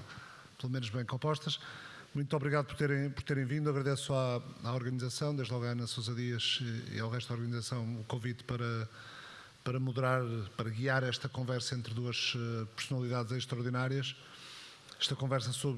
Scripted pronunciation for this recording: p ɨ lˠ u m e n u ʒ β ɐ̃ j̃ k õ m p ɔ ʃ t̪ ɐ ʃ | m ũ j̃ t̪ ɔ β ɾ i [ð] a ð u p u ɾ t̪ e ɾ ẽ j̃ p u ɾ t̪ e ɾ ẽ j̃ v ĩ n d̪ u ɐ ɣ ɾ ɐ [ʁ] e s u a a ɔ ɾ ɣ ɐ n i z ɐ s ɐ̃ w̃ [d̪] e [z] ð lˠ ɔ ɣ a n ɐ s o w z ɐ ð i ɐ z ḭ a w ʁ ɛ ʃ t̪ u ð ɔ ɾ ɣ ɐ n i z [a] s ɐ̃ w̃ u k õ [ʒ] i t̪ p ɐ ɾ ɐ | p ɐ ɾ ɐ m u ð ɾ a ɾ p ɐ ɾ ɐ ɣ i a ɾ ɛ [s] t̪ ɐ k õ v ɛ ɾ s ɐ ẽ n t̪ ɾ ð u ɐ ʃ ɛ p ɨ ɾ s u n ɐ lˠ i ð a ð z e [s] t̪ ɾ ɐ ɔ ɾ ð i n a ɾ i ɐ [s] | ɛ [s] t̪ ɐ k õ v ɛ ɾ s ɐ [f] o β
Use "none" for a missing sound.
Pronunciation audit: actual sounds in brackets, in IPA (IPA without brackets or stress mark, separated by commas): ɣ, ð, d̪, ʒ, ɐ, v, ʃ, ʃ, ʃ, ʃ, s